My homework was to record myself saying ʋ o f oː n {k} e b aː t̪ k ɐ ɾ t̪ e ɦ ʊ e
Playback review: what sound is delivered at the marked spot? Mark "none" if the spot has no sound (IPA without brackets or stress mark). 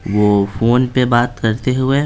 p